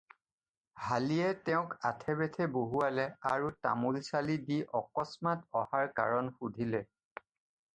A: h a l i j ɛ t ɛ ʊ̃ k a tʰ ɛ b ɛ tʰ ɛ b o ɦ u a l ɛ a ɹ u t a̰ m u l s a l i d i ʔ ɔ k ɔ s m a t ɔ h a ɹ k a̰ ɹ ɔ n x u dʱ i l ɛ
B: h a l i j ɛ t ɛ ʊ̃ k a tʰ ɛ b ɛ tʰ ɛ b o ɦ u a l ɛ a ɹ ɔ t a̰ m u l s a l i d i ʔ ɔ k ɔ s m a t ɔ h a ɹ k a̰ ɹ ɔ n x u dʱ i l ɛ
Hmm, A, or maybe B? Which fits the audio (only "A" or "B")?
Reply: A